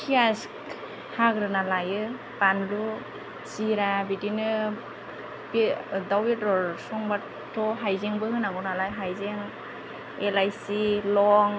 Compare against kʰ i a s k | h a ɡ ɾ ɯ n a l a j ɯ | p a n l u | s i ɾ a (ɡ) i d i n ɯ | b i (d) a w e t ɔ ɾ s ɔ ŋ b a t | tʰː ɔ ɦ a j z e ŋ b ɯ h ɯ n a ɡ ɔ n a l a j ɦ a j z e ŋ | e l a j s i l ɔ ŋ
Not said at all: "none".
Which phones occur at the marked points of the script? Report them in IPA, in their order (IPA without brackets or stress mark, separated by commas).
b, d